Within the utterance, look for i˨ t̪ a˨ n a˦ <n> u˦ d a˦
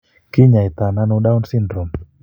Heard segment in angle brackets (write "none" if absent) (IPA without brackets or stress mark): n